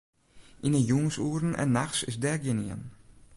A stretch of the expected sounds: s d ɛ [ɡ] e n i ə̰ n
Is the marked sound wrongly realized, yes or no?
no